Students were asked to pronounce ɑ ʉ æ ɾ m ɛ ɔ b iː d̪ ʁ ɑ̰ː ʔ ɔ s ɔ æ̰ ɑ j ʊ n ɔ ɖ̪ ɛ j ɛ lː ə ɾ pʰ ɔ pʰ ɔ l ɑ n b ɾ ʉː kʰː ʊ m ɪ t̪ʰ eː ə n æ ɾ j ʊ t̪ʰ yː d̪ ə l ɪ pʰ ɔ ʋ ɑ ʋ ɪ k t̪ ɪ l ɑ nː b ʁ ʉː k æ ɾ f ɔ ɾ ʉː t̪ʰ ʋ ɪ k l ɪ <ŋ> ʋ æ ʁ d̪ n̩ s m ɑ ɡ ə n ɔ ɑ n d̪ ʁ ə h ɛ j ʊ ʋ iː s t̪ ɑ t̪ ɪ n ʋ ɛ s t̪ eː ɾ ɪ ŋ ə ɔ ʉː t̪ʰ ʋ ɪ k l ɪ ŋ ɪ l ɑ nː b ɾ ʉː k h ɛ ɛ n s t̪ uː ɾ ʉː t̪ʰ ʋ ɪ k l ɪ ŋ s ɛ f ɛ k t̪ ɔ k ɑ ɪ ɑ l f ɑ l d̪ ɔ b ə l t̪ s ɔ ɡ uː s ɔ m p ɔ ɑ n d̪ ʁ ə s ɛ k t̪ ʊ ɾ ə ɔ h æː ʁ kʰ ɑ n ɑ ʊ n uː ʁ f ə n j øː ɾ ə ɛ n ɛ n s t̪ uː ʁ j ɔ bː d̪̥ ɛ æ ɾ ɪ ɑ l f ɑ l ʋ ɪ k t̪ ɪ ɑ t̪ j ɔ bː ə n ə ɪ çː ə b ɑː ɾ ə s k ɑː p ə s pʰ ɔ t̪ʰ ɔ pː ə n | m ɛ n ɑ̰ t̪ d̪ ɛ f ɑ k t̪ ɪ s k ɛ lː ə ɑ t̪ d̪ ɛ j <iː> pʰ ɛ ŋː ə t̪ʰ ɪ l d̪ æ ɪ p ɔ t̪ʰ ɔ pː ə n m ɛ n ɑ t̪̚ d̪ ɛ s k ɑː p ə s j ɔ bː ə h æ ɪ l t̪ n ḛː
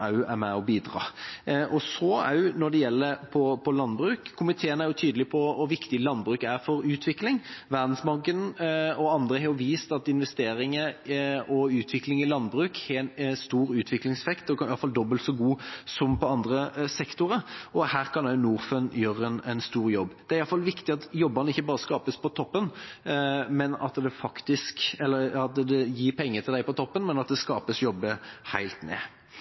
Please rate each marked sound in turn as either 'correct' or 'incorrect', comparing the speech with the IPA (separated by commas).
correct, correct